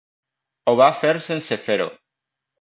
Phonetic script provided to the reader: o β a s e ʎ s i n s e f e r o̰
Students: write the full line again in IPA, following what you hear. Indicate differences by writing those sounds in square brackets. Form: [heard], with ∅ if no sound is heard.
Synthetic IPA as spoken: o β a [f] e [ɾ] s [e] n s e f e [ɾ] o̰

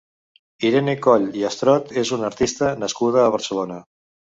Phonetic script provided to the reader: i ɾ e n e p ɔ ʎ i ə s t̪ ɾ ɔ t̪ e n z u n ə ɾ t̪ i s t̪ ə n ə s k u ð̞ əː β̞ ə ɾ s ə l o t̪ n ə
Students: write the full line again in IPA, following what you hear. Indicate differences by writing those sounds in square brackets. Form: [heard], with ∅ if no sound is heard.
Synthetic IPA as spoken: i ɾ e n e [k] ɔ ʎ i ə s t̪ ɾ ɔ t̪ e [∅] z u n ə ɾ t̪ i s t̪ ə n ə s k u ð̞ əː β̞ ə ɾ s ə l o [∅] n ə

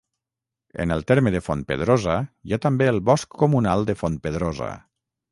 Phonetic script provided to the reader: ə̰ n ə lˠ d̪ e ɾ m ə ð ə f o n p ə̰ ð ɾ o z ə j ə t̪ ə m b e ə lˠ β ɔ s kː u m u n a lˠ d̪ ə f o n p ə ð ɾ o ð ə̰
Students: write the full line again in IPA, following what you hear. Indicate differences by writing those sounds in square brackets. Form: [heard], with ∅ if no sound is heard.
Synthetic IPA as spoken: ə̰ n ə lˠ [t̪] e ɾ m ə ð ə f o n p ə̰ ð ɾ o z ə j [a] t̪ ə m b e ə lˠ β ɔ s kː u m u n a lˠ d̪ ə f o n p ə ð ɾ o [z] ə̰

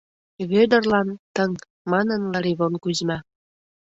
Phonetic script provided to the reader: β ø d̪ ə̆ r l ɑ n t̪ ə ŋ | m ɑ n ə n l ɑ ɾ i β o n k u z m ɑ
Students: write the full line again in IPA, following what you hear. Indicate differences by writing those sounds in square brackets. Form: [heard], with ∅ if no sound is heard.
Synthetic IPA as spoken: β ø d̪ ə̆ r l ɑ n t̪ ə ŋ | m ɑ n ə n l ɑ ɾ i β o n k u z m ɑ

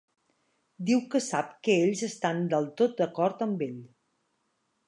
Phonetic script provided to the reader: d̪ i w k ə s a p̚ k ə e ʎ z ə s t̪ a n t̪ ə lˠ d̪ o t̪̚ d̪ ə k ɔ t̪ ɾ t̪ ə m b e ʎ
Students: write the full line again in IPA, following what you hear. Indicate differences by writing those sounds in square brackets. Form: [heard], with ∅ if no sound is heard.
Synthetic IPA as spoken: d̪ i w k ə s a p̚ k ə e ʎ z ə s t̪ a n [d̪] ə lˠ [t̪] o t̪̚ d̪ ə k ɔ [∅] ɾ t̪ ə m b e ʎ

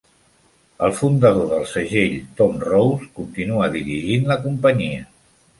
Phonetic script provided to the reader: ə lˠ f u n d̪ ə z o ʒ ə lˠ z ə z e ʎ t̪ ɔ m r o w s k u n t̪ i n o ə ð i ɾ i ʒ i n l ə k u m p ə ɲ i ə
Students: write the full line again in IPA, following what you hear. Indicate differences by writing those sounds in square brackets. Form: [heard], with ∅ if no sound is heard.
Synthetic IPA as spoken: ə lˠ f u n d̪ ə [ð] o [ð] ə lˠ [s] ə [ʒ] e ʎ t̪ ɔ m r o w s k u n t̪ i n [u] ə ð i ɾ i ʒ i n l ə k u m p ə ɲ i ə

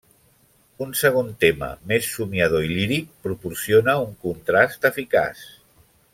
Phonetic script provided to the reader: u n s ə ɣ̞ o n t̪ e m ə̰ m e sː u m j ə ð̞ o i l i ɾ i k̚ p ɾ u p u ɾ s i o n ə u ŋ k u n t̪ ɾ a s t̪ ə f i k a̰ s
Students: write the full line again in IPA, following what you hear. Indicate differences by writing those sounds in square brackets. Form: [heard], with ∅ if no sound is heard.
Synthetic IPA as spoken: u n s ə ɣ̞ o n t̪ e m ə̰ m e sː u m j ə ð̞ o i l i ɾ i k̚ p ɾ u p u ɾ s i o n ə u ŋ k u n t̪ ɾ a s t̪ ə f i k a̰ s

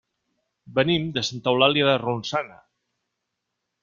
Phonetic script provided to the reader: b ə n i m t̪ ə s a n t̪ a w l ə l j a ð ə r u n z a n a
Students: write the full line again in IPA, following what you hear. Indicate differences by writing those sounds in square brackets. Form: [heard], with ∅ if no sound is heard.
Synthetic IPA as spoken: b ə n i m [d̪] ə s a n t̪ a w l [a] l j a ð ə r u n [s] a n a

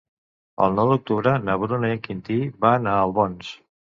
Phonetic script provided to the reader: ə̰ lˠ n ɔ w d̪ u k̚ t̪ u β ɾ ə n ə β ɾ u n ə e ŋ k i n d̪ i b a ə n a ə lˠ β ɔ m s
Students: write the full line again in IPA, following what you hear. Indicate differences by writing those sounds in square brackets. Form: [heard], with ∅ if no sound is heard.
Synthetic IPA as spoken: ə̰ lˠ n ɔ w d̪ u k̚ t̪ u β ɾ ə n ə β ɾ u n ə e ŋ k i n [t̪] i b a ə n a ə lˠ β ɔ [n] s

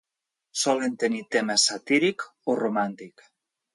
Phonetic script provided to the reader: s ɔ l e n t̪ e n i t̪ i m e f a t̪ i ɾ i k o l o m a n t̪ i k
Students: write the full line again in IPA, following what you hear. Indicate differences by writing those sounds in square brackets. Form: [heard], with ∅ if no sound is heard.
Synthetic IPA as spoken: s ɔ l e n t̪ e n i t̪ [e] m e [s] a t̪ i ɾ i k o [r] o m a n t̪ i k

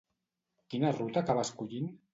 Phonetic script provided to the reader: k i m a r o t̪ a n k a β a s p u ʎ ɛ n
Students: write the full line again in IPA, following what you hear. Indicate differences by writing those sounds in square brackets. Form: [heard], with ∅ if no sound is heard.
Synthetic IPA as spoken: k i [n] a r [u] t̪ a [∅] k a β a s [k] u ʎ [i] n

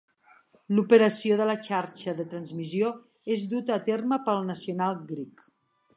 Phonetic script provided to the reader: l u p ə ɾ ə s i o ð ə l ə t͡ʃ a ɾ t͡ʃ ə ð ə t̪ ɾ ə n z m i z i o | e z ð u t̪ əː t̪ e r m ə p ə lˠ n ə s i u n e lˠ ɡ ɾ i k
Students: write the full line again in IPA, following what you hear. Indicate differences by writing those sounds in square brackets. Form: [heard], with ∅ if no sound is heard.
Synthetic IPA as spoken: l u p ə ɾ ə s i o ð ə l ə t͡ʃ a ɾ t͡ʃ ə ð ə t̪ ɾ ə n z m i z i o | e z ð u t̪ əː t̪ e r m ə p ə lˠ n ə s i u n [a] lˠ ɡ ɾ i k

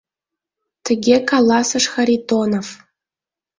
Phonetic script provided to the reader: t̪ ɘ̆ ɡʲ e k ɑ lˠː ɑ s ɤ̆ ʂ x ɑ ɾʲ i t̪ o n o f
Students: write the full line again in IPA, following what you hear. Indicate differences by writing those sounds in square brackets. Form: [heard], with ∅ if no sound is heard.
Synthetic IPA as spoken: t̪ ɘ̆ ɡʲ e k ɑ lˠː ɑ s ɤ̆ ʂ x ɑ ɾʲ i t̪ o n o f

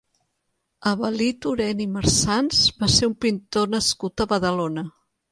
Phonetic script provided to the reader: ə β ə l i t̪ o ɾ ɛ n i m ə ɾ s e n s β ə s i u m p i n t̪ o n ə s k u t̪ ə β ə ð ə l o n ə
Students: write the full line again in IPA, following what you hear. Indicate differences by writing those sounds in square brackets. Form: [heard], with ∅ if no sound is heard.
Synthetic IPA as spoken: ə β ə l i t̪ [u] ɾ ɛ n i m ə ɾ s [a] n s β [a] s [e] u m p i n t̪ o n ə s k u t̪ ə β ə ð ə l o n ə

